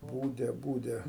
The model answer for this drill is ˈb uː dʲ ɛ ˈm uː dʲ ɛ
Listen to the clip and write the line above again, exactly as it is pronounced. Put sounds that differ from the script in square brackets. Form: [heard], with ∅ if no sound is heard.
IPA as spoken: ˈb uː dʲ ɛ [ˈb] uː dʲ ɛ